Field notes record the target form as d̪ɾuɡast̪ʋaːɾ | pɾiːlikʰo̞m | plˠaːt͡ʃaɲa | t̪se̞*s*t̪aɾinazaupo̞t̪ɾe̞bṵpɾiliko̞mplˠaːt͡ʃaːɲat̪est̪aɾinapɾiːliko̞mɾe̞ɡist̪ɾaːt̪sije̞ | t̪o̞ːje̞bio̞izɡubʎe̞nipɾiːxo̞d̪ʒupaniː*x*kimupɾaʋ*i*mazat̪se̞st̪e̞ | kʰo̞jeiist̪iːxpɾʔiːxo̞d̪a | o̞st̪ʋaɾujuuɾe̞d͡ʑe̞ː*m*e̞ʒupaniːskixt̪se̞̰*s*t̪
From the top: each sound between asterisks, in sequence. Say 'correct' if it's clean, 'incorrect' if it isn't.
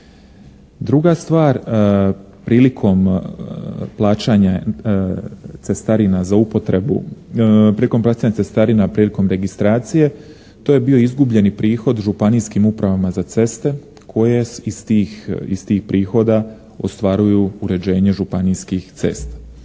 correct, incorrect, incorrect, incorrect, correct

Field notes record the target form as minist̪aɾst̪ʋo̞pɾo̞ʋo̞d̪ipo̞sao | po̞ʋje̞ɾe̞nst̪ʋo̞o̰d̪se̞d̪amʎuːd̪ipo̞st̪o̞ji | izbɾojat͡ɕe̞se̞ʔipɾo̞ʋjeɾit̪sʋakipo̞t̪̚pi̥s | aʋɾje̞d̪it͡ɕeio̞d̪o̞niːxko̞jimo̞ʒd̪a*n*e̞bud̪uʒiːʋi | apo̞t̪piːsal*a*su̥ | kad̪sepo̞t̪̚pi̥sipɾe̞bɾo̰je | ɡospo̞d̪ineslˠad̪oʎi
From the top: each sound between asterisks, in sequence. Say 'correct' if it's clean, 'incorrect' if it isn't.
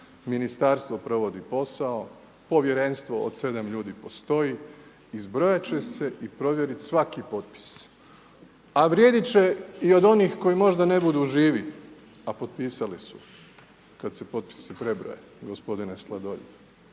correct, incorrect

